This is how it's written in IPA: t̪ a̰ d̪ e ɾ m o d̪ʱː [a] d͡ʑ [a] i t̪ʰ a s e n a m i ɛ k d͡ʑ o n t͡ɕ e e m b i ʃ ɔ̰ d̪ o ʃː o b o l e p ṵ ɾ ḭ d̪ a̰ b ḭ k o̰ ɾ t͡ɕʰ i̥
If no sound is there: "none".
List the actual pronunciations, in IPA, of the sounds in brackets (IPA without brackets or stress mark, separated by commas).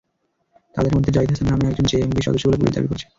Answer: e, a